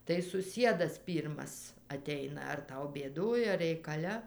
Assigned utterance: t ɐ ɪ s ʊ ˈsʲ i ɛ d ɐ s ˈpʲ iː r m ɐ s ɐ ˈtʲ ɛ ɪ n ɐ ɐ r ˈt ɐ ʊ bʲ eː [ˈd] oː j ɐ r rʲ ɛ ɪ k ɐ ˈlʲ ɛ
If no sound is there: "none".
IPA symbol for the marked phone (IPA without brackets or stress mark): d